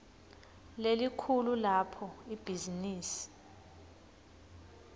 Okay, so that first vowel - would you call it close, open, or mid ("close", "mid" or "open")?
mid